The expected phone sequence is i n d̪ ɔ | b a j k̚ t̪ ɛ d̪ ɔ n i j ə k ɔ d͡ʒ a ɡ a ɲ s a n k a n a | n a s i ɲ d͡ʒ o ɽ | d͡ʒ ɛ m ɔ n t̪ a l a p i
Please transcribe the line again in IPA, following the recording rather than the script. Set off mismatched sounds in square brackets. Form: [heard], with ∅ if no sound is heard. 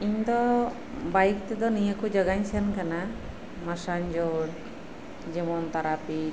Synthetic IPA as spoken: i [ɲ] d̪ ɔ | b a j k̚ t̪ ɛ d̪ ɔ n i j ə k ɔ d͡ʒ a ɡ a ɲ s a n k a n a | [m] a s [a] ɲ d͡ʒ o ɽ | d͡ʒ ɛ m ɔ n t̪ a [ɾ] a p i